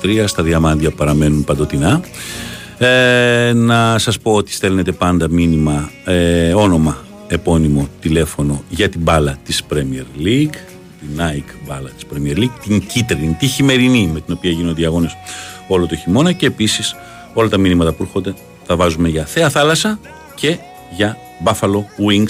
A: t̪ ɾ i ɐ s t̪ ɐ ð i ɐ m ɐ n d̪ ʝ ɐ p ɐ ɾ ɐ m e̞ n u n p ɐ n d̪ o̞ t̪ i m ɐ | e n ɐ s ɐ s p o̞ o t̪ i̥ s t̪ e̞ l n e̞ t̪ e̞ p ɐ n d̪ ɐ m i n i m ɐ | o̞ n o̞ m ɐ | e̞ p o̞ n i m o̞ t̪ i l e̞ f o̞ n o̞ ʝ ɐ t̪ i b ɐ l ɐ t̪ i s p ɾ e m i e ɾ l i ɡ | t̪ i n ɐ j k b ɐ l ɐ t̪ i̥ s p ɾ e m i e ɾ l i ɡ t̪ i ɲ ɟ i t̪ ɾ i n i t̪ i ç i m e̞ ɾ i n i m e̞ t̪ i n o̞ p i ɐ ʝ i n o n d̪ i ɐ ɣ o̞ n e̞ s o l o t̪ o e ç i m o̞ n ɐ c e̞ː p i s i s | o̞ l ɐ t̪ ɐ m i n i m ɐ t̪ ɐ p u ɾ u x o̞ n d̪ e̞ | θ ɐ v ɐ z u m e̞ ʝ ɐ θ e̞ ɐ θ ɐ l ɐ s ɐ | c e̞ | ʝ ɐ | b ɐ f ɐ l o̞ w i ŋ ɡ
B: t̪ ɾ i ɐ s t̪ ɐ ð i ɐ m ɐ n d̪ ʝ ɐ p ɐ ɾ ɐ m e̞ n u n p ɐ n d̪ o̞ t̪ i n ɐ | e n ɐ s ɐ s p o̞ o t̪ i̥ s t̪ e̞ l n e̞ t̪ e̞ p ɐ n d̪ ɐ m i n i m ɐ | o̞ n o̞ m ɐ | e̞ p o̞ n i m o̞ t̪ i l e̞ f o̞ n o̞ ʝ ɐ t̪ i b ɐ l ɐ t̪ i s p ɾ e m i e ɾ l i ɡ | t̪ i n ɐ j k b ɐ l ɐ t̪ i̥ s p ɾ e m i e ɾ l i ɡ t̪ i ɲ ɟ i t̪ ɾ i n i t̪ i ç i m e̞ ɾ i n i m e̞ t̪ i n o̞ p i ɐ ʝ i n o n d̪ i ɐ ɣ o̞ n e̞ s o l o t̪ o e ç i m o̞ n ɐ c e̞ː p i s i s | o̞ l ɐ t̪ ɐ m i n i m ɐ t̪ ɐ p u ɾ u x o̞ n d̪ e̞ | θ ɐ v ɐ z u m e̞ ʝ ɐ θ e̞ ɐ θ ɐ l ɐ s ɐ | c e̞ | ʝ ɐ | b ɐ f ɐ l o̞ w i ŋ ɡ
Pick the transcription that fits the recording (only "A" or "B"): B